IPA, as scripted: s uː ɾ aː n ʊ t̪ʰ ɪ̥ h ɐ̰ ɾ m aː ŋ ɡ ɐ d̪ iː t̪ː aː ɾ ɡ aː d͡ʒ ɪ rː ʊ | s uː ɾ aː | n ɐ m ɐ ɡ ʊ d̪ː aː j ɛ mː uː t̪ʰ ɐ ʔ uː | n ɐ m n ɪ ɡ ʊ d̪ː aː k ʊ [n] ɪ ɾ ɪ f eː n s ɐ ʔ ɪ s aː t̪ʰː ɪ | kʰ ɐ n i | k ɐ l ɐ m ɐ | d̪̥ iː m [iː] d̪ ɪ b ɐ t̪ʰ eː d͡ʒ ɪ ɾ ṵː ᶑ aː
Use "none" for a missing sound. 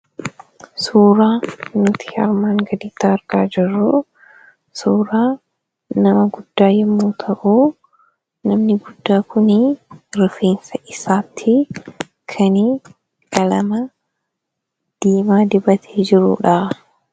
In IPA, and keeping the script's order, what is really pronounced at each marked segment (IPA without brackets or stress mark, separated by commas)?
n, aː